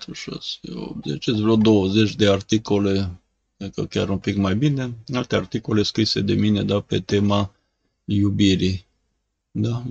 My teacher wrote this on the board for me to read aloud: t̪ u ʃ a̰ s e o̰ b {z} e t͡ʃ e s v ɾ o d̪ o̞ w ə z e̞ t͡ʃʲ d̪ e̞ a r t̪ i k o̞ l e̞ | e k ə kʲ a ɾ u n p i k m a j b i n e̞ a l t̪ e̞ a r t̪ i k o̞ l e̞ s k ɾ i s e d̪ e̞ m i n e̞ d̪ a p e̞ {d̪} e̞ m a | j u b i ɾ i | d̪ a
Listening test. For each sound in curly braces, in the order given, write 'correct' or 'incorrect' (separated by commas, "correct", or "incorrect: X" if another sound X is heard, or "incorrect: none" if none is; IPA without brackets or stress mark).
correct, incorrect: t̪